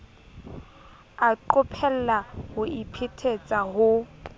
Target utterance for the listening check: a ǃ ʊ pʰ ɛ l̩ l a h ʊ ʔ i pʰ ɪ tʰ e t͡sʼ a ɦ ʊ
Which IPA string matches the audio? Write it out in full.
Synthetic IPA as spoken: a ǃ ʊ pʰ ɛ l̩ l a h ʊ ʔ i pʰ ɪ tʰ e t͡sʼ a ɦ ʊ